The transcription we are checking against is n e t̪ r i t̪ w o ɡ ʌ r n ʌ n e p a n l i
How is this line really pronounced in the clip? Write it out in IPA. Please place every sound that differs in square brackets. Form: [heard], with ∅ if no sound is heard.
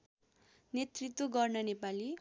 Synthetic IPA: n e t̪ r i t̪ w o ɡ ʌ r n ʌ n e p a [∅] l i